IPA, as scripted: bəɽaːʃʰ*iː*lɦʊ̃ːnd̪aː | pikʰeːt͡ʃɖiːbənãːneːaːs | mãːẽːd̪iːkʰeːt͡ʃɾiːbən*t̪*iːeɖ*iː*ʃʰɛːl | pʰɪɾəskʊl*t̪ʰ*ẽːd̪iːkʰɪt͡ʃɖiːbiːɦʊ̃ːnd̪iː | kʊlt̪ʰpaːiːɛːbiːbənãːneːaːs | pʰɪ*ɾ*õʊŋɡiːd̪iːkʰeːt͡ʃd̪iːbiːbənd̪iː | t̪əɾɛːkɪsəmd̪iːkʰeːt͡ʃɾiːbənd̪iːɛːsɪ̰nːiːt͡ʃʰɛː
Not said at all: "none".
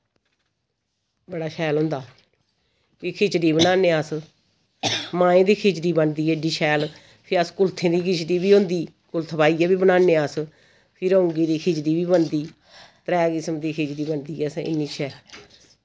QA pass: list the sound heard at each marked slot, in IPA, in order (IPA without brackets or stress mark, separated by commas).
ɛː, d̪, iː, t̪ʰ, ɾ